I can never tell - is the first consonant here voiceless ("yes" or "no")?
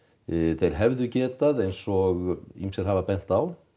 yes